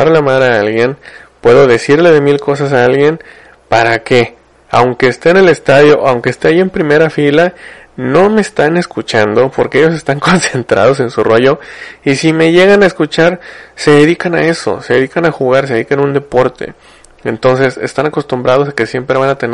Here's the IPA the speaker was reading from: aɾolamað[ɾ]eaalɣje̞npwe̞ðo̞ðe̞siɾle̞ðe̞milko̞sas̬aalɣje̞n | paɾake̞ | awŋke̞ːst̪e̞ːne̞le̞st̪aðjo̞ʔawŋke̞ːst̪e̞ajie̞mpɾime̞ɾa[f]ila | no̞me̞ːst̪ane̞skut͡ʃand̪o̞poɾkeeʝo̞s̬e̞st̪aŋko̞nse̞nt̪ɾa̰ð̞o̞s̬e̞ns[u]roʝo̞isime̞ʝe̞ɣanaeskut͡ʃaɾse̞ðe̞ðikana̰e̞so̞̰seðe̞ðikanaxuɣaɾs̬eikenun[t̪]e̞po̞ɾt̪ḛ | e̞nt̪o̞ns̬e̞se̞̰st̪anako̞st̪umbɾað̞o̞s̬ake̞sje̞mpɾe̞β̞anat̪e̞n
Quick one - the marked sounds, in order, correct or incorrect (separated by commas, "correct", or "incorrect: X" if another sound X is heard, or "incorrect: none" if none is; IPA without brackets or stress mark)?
correct, correct, correct, incorrect: d̪